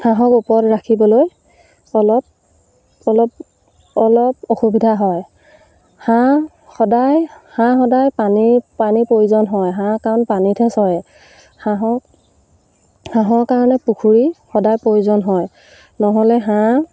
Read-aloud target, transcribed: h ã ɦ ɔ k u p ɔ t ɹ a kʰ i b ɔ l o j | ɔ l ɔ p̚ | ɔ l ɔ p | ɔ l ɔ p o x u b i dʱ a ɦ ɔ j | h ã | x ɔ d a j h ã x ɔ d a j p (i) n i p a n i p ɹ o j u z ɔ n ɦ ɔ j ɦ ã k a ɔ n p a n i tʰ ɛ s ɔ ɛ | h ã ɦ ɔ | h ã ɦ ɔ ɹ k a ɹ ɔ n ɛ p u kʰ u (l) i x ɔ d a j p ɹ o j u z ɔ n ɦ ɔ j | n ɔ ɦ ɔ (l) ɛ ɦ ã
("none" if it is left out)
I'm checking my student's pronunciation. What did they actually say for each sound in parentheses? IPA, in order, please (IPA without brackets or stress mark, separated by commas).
a, ɹ, l